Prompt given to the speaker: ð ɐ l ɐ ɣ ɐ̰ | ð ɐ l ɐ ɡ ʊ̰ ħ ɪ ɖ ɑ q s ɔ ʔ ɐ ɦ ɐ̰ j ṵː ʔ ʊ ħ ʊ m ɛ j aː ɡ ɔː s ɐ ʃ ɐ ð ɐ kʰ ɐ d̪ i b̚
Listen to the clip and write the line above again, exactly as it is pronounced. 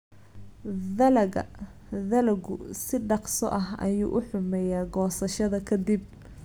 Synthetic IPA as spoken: ð ɐ l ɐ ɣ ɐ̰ | ð ɐ l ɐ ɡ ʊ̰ s ɪ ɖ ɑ q s ɔ ʔ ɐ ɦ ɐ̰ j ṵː ʔ ʊ ħ ʊ m ɛ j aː ɡ ɔː s ɐ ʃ ɐ ð ɐ kʰ ɐ d̪ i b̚